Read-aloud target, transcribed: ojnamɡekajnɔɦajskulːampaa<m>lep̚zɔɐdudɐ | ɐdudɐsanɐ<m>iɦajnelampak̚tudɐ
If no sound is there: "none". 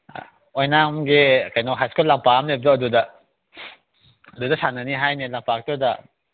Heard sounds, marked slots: m, n

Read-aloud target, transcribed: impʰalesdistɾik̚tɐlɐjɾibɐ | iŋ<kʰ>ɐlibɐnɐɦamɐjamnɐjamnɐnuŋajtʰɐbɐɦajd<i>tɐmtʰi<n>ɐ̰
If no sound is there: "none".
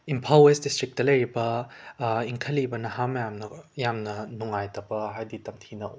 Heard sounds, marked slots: kʰ, i, n

